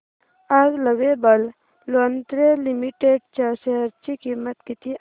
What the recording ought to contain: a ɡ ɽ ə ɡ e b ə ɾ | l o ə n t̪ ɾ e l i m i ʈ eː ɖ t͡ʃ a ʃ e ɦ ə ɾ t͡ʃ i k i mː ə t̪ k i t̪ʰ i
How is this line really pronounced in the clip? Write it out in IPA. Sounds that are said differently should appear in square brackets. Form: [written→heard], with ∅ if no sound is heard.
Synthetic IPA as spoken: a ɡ [ɽ→l] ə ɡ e b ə [ɾ→l] | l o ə n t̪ ɾ e l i m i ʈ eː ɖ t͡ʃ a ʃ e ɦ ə ɾ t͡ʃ i k i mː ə t̪ k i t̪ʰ i